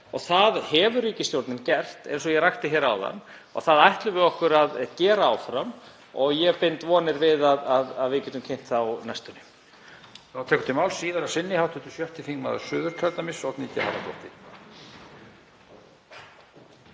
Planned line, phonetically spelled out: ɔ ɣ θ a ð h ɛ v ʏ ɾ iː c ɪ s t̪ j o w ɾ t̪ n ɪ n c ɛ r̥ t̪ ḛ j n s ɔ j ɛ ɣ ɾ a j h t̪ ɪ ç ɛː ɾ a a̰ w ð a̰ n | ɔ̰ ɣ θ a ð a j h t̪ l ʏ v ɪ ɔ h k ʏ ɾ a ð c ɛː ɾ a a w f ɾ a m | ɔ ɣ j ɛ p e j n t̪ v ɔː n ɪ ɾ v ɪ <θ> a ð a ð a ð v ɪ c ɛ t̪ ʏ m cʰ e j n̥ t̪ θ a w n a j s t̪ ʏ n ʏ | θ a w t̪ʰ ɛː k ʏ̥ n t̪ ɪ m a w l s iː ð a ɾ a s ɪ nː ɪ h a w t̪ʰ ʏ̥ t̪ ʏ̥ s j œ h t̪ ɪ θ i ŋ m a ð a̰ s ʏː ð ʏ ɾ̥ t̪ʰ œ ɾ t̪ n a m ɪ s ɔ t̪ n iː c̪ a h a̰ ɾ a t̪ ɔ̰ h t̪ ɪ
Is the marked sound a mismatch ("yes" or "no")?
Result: yes